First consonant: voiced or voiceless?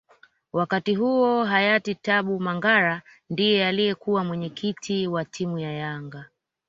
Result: voiced